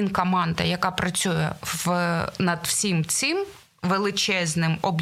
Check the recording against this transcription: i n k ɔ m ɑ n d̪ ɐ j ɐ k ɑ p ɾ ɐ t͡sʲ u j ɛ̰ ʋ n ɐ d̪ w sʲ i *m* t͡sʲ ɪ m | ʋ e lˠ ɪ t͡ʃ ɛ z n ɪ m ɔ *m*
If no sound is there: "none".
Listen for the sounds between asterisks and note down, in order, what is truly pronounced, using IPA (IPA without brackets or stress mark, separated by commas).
m, b